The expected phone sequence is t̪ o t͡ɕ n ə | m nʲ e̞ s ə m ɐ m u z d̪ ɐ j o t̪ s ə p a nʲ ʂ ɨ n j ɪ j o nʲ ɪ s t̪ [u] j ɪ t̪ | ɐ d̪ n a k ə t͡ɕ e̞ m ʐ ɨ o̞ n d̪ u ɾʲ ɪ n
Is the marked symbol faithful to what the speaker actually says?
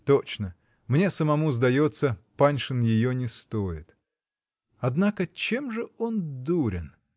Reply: no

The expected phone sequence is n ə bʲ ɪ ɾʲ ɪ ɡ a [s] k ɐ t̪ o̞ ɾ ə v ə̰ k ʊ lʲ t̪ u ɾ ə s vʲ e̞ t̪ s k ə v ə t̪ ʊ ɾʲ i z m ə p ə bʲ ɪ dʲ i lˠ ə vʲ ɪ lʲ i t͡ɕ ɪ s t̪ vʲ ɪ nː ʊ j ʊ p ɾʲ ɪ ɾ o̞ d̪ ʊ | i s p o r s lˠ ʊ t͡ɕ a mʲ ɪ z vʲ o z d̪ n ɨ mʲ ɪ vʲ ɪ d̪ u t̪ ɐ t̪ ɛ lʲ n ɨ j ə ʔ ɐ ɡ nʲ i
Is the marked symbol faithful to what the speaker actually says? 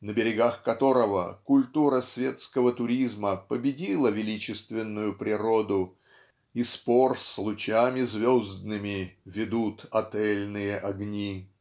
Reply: no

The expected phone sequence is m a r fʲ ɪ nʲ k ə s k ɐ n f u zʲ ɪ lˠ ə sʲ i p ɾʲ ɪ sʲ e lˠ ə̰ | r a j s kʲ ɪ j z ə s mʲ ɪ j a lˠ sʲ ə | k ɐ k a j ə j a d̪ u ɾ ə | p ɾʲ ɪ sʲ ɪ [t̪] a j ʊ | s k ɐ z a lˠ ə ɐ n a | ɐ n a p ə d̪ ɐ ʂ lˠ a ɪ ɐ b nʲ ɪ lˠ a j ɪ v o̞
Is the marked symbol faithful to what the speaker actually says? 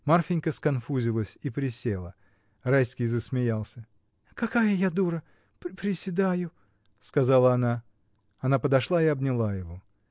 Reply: no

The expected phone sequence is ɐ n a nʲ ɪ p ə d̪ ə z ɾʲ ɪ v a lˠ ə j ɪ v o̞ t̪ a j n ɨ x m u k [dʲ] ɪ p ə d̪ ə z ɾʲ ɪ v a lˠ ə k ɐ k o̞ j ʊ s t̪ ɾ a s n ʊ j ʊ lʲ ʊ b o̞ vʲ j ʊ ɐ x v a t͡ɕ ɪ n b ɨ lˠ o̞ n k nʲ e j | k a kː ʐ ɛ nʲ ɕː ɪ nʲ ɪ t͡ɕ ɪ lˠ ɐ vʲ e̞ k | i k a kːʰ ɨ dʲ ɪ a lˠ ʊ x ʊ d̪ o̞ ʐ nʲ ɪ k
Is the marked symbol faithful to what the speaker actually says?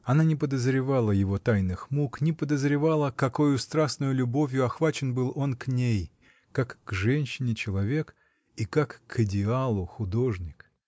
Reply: no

